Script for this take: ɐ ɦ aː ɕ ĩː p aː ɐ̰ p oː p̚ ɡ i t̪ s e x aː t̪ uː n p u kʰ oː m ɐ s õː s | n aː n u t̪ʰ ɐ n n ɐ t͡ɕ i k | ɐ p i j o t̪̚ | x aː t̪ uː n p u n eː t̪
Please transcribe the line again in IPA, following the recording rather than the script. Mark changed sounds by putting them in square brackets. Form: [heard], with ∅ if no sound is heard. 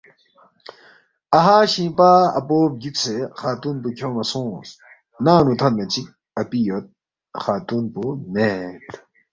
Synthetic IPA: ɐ ɦ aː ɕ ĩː p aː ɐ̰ p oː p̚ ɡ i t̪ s e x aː t̪ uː n p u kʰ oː m ɐ s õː s | n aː n u t̪ʰ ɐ n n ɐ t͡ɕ i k | ɐ p i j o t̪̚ | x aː t̪ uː n p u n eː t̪